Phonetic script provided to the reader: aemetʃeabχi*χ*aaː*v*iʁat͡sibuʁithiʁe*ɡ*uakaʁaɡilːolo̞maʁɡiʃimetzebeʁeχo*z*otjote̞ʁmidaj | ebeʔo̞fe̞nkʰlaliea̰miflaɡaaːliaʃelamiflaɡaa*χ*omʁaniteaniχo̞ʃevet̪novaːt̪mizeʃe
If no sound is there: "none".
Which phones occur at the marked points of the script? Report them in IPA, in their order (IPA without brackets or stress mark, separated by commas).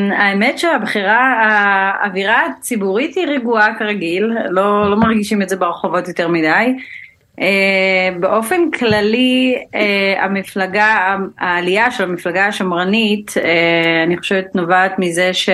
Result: ʁ, v, ɡ, v, ʃ